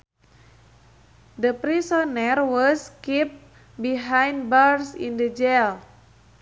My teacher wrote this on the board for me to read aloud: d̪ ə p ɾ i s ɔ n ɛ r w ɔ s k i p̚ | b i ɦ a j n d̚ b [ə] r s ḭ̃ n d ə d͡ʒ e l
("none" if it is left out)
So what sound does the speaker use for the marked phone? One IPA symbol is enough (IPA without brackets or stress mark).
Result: a